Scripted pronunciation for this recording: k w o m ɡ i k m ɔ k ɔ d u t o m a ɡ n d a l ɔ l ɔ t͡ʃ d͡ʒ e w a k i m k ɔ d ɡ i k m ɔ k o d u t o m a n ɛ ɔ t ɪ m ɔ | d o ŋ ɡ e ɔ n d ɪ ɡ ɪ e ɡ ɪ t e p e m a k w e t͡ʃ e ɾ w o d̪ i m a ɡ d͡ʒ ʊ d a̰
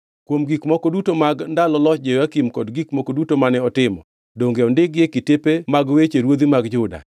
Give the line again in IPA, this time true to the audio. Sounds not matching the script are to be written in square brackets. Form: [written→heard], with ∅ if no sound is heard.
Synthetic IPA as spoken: k w o m ɡ i k m ɔ k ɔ d u t o m a ɡ n d a l ɔ l ɔ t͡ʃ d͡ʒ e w a k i m k ɔ d ɡ i k m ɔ k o d u t o m a n ɛ ɔ t ɪ m ɔ | d o ŋ ɡ e ɔ n d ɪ ɡ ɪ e [ɡ→k] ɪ t e p e m a [k→ɡ] w e t͡ʃ e ɾ w o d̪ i m a ɡ d͡ʒ ʊ d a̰